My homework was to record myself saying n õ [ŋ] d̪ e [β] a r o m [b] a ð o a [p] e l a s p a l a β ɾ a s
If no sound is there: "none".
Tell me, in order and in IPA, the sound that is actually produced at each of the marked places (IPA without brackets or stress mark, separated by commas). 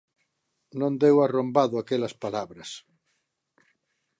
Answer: n, w, b, k